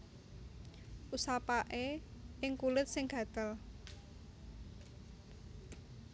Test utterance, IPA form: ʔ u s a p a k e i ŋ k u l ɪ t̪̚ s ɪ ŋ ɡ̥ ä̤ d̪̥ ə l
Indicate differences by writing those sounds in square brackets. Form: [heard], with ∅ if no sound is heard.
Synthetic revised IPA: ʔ u s a p a [ʔ] e [ɪ] ŋ k u l ɪ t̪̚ s ɪ ŋ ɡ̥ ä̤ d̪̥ ə l